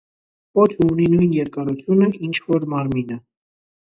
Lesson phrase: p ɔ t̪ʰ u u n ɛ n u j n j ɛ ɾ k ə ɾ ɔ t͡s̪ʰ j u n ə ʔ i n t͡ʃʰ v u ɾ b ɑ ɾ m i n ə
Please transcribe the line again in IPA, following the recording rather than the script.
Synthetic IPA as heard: p ɔ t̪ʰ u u n i n u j n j ɛ ɾ k ɑ ɾ u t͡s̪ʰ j u n ə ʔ i n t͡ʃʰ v ɔ ɾ m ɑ ɾ m i n ə